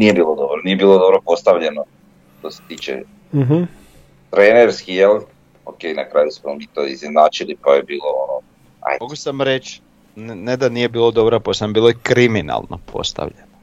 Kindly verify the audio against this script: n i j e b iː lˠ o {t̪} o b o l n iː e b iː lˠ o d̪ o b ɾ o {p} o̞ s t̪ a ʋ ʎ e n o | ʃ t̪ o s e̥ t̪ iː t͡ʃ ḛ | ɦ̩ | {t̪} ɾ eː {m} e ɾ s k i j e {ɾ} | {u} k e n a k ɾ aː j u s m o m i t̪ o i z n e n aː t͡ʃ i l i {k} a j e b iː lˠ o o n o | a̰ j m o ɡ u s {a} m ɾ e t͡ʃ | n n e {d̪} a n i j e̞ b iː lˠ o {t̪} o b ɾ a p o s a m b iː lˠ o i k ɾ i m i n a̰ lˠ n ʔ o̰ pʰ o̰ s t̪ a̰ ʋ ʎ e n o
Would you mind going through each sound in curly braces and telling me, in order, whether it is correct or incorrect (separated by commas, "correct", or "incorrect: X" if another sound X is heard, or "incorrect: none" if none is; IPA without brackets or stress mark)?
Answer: incorrect: d̪, correct, correct, incorrect: n, incorrect: l, incorrect: o, incorrect: p, correct, correct, incorrect: d̪